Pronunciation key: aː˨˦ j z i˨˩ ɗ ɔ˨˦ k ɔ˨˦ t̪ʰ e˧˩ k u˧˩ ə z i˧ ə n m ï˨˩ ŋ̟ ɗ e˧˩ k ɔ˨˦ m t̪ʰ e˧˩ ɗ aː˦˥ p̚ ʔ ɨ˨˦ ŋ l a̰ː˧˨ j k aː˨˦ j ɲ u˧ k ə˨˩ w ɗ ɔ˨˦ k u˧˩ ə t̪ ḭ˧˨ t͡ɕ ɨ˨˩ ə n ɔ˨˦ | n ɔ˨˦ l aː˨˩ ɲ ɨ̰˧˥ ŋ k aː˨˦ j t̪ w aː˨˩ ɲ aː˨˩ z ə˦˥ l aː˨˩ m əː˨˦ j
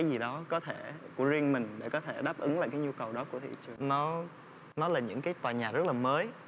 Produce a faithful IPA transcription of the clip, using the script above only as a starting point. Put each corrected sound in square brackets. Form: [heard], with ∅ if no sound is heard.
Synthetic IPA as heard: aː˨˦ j z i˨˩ ɗ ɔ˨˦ k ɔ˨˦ t̪ʰ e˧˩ k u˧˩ ə z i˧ ə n m ï˨˩ ŋ̟ ɗ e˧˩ k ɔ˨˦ [∅] t̪ʰ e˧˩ ɗ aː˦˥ p̚ ʔ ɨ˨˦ ŋ l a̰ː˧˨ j k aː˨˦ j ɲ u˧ k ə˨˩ w ɗ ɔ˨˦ k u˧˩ ə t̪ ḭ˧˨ t͡ɕ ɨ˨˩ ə n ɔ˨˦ | n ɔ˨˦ l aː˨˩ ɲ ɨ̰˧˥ ŋ k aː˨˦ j t̪ w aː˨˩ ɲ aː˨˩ z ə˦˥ l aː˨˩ m əː˨˦ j